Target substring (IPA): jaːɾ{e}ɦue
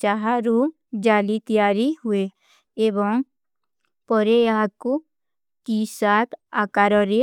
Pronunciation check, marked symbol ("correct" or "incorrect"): incorrect